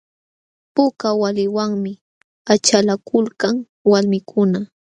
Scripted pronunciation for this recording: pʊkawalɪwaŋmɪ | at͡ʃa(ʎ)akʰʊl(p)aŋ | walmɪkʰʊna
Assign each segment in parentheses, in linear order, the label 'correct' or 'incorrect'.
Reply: incorrect: l, incorrect: k

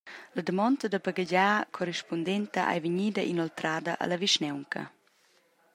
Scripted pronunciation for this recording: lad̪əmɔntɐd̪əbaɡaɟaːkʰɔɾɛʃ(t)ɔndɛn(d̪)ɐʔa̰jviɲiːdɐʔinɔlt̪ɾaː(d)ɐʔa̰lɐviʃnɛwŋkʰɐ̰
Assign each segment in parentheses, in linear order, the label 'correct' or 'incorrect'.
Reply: incorrect: p, incorrect: t̪, correct

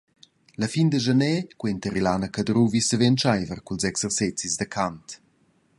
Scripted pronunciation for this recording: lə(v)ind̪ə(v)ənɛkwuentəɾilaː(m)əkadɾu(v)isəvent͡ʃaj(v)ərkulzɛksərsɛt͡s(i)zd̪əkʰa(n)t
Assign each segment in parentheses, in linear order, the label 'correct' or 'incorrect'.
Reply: incorrect: f, incorrect: ʒ, incorrect: n, correct, correct, correct, correct

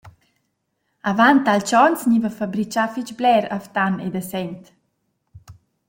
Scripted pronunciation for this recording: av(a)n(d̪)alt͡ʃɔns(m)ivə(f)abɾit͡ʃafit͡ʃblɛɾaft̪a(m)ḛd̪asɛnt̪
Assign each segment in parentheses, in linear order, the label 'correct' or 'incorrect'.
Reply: correct, incorrect: t̪, incorrect: ɲ, correct, incorrect: n

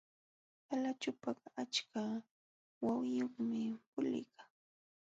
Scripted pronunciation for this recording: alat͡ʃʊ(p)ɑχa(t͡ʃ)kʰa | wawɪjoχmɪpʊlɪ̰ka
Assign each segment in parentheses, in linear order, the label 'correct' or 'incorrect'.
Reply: correct, correct

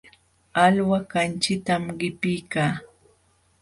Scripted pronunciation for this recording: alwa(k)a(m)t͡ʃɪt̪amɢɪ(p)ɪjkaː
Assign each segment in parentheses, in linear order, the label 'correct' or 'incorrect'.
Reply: correct, incorrect: n, correct

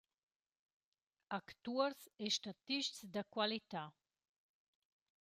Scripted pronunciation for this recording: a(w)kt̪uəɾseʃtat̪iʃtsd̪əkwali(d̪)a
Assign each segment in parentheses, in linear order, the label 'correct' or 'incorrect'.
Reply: incorrect: none, incorrect: t̪

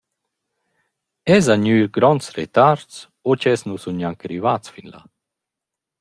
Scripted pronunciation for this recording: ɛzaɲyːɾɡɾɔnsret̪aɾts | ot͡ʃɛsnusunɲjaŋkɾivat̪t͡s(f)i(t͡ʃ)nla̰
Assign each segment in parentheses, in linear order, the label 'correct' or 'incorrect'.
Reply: correct, incorrect: none

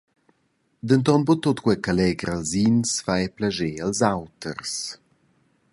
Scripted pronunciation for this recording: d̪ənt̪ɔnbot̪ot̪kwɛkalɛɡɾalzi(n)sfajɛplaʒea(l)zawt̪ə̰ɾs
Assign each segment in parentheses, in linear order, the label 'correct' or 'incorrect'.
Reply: correct, correct

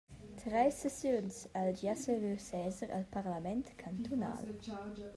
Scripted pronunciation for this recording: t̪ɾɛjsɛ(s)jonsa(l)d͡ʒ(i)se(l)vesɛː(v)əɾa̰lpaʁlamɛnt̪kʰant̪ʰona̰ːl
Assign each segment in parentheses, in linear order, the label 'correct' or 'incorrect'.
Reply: correct, correct, incorrect: a, incorrect: none, incorrect: z

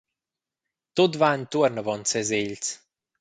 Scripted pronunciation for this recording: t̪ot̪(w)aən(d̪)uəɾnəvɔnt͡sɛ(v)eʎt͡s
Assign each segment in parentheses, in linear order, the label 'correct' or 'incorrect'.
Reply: incorrect: v, incorrect: t̪, incorrect: z

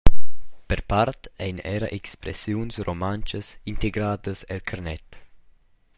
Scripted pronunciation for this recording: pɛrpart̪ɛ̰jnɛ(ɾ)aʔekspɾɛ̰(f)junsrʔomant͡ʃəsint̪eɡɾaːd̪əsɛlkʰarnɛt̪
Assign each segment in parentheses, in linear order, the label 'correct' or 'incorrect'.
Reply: correct, incorrect: s

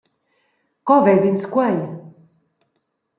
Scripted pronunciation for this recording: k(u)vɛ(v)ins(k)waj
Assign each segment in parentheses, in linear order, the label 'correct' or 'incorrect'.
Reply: incorrect: ɔ, incorrect: z, correct

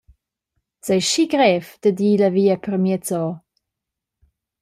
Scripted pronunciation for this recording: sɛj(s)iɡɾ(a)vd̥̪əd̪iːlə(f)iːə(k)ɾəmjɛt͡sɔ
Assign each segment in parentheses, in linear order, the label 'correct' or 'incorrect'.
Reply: incorrect: ʃ, incorrect: ɛ, incorrect: v, incorrect: p

